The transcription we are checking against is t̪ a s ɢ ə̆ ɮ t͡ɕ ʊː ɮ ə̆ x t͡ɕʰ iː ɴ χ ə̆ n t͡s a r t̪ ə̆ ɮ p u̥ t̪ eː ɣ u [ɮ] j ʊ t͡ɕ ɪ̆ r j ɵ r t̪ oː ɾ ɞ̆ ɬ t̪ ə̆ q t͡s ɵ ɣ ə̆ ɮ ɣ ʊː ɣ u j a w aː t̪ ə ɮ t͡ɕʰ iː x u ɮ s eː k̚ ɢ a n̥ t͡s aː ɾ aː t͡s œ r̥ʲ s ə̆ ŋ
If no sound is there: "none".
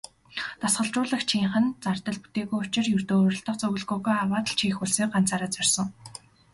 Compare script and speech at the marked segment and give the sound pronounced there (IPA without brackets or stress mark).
none